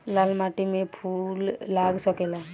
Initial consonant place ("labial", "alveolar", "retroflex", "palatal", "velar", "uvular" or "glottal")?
alveolar